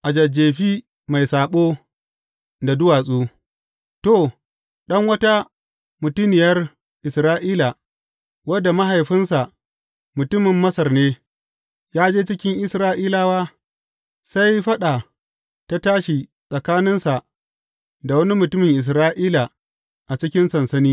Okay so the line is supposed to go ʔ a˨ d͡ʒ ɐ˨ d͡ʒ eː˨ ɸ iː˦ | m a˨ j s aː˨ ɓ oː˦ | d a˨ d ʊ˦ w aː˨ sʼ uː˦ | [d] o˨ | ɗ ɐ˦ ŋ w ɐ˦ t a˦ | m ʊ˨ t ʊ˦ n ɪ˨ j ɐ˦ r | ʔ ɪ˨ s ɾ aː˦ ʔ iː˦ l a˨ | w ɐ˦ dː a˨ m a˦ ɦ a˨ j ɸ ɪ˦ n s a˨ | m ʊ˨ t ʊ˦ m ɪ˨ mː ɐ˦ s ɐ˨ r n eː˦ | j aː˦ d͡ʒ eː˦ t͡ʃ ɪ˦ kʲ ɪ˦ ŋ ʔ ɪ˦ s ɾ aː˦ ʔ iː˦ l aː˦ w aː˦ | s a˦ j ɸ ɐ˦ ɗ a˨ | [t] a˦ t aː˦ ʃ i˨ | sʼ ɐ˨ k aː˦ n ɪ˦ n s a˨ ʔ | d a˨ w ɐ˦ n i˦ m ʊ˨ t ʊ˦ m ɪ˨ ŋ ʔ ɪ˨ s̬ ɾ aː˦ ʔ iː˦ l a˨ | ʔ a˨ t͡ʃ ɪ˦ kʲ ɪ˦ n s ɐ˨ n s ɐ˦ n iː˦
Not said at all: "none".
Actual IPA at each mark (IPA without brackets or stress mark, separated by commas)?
t, t